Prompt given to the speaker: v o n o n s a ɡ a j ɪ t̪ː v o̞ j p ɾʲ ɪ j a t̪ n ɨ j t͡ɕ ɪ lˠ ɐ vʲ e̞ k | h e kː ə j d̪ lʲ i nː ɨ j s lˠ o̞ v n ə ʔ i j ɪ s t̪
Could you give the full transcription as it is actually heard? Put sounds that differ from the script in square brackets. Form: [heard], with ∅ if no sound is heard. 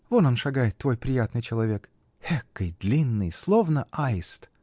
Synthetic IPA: v o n o n [ʂ] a ɡ a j ɪ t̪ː v o̞ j p ɾʲ ɪ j a t̪ n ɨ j t͡ɕ ɪ lˠ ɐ vʲ e̞ k | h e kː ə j d̪ lʲ i nː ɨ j s lˠ o̞ v n ə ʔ [a] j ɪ s t̪